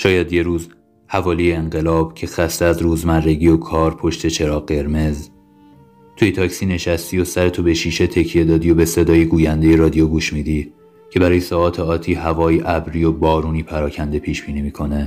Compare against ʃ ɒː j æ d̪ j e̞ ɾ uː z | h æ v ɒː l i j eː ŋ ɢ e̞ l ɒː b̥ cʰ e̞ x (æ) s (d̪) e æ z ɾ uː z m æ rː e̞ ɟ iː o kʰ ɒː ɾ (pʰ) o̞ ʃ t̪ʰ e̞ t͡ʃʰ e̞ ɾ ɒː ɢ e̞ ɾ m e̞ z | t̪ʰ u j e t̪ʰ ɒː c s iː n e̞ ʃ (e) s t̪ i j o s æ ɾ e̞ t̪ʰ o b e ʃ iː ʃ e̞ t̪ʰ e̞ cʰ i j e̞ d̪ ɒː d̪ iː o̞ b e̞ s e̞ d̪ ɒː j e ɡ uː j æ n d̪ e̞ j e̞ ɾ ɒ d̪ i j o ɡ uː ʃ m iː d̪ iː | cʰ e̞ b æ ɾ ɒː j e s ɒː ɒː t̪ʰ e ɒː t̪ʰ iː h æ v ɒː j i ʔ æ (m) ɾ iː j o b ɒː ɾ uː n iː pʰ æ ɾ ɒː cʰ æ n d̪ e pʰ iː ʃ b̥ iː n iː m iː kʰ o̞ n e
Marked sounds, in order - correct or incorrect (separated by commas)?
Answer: correct, incorrect, correct, incorrect, incorrect